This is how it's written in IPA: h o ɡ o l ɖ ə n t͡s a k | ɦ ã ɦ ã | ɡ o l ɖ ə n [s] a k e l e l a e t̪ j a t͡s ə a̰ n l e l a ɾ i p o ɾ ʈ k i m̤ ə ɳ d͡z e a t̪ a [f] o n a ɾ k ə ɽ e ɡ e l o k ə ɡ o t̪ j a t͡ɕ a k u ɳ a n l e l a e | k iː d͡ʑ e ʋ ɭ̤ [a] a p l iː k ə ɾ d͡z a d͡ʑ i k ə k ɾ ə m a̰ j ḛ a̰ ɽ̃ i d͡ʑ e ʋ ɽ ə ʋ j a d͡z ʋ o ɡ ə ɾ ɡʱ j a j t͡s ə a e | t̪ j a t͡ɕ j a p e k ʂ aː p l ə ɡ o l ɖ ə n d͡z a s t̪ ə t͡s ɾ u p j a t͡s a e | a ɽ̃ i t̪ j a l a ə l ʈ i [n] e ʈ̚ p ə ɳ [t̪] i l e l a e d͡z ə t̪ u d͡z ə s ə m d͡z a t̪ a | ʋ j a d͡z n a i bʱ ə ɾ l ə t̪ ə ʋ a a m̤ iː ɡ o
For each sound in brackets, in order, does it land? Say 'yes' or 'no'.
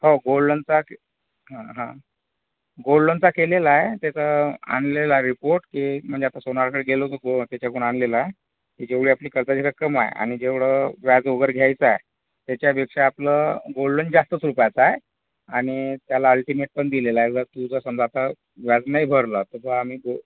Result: no, no, no, no, no

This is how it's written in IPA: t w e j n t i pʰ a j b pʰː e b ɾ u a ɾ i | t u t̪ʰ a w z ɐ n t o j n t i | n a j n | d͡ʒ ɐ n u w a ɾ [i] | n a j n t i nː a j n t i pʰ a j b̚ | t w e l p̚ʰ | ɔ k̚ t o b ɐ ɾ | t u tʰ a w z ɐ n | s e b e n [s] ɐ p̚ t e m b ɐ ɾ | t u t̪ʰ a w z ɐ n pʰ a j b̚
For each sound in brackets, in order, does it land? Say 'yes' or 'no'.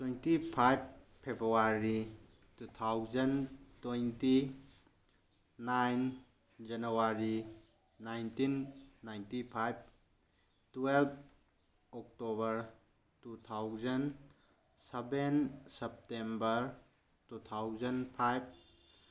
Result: yes, yes

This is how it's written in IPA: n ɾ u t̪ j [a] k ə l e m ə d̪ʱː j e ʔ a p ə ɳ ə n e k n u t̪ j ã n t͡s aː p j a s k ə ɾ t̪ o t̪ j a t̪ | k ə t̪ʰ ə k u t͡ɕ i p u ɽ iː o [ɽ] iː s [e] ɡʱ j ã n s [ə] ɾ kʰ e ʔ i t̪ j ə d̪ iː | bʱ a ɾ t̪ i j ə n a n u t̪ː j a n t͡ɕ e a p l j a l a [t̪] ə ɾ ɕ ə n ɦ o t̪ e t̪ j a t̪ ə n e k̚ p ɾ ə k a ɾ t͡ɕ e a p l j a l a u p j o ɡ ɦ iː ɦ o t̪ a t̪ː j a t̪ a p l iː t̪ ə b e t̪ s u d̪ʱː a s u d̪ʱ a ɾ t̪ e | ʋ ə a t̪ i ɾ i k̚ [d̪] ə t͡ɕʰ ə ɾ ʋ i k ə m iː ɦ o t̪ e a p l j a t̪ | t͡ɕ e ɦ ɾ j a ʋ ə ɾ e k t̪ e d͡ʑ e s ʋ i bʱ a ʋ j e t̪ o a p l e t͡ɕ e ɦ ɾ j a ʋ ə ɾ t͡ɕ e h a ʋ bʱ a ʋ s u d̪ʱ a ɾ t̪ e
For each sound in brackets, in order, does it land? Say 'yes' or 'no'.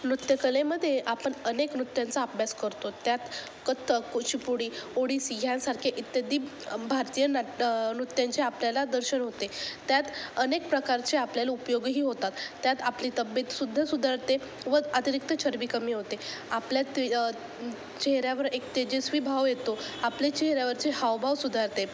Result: no, yes, no, no, no, no

